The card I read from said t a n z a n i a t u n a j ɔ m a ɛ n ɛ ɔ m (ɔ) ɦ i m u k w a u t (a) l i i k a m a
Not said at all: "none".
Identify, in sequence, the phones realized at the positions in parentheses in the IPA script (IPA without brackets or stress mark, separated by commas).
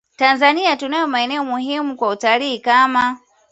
u, a